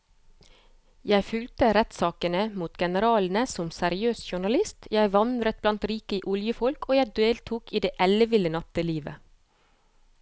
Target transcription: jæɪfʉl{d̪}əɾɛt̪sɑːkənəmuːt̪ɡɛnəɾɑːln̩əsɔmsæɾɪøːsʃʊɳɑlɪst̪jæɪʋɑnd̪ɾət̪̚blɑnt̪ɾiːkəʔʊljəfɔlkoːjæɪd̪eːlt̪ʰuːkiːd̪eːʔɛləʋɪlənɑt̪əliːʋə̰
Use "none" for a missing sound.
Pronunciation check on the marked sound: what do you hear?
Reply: t̪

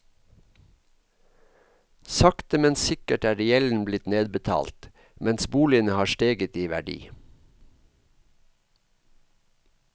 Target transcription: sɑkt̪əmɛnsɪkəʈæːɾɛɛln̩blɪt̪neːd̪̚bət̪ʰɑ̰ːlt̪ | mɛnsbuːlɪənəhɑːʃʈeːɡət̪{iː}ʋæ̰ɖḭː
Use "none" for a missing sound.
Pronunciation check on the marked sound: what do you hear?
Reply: iː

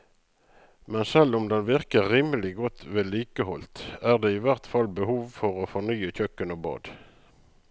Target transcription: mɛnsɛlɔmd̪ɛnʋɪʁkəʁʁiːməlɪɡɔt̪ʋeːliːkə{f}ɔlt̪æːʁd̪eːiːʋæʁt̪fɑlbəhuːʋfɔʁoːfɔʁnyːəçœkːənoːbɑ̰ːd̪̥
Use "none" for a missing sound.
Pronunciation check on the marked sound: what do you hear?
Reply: h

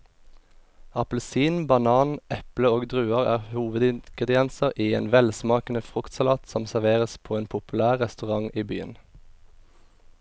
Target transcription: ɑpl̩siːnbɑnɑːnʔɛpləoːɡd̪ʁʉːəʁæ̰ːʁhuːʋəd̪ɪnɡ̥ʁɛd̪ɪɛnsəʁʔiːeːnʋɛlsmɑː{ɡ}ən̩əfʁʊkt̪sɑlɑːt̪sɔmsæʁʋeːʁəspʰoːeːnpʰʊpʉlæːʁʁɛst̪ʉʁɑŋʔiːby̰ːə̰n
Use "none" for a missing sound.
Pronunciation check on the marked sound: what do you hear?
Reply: k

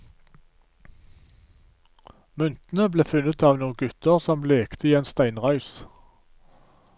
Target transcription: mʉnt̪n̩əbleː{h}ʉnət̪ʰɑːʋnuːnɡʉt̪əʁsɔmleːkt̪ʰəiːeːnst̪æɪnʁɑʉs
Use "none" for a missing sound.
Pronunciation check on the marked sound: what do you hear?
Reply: f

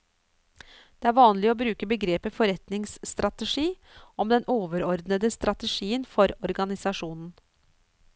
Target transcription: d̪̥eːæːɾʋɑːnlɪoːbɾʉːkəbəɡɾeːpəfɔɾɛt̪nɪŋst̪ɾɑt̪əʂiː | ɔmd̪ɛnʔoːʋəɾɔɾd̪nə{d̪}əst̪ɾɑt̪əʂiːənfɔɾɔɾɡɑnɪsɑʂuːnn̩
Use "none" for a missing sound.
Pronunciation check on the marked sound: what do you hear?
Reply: d̪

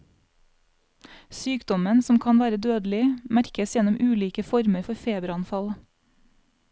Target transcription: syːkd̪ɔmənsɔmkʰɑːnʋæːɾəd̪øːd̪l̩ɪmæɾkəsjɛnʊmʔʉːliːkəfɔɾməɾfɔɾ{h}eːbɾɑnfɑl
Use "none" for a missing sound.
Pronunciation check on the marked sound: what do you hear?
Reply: f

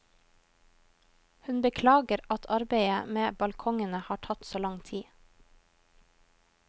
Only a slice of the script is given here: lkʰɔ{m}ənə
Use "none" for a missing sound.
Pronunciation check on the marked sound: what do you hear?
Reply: ŋ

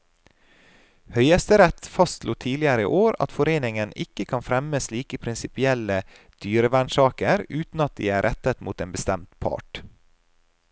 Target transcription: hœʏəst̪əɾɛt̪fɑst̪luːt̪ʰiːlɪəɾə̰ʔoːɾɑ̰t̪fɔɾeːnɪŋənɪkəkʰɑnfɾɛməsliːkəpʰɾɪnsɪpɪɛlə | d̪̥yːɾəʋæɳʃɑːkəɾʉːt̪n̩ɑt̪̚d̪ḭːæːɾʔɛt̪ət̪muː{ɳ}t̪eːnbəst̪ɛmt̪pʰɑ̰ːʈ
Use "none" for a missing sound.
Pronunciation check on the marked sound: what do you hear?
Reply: none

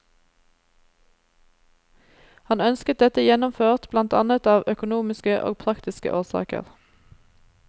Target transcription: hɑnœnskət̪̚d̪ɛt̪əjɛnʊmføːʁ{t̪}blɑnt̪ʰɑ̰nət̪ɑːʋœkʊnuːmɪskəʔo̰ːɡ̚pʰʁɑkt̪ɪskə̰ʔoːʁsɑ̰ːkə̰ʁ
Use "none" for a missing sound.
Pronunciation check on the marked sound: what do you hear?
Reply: t̪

